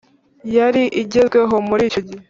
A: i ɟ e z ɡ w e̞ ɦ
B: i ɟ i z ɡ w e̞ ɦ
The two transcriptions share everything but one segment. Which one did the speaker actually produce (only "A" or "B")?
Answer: A